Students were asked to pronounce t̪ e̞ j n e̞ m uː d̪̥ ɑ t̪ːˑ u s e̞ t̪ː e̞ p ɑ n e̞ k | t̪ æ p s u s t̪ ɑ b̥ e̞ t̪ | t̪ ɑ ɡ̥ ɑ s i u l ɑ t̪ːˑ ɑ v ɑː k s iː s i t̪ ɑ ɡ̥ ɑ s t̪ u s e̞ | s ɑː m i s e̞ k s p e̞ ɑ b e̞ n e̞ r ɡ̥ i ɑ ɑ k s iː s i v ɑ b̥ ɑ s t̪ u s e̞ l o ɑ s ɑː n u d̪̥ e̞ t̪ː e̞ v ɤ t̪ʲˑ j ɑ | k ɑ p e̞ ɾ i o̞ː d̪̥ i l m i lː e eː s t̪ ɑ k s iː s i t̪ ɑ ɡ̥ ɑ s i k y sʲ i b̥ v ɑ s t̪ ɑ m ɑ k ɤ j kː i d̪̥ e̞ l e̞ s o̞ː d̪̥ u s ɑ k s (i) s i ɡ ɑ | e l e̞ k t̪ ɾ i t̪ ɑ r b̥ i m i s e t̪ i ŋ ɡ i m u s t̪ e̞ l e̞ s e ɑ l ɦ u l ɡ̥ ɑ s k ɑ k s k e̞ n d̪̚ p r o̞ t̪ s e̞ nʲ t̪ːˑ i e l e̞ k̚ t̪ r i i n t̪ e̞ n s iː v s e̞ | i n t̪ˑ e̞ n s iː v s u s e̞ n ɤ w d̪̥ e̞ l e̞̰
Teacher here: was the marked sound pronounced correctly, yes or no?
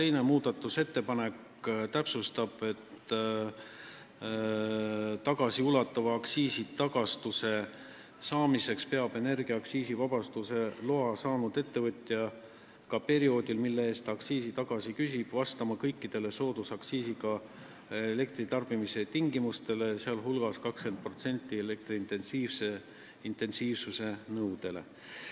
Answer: no